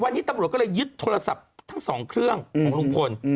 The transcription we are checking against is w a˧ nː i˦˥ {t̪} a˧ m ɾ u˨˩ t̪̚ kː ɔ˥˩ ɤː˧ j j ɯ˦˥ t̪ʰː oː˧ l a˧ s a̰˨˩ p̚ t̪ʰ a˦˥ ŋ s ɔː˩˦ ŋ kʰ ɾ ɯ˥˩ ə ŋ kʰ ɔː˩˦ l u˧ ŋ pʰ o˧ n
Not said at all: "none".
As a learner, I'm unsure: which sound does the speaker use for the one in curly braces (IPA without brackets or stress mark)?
t̪